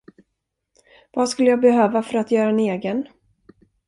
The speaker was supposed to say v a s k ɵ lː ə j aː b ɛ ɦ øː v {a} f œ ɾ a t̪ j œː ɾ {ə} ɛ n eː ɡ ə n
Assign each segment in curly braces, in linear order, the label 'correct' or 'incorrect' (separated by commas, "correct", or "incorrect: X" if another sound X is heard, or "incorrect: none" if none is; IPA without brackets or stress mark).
correct, incorrect: a